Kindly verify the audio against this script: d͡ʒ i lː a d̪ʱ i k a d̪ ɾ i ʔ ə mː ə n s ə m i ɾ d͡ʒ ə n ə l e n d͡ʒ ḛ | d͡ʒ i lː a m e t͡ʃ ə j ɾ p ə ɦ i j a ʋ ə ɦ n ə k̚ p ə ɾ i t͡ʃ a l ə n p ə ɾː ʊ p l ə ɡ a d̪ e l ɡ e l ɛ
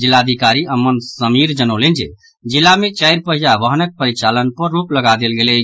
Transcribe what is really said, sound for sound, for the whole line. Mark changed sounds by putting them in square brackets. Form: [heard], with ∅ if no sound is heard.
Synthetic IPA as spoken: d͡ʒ i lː a d̪ʱ i k a [∅] ɾ i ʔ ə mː ə n s ə m i ɾ d͡ʒ ə n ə l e n d͡ʒ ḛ | d͡ʒ i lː a m e t͡ʃ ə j ɾ p ə ɦ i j a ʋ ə ɦ n ə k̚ p ə ɾ i t͡ʃ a l ə n p ə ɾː [u] p l ə ɡ a d̪ e l ɡ e l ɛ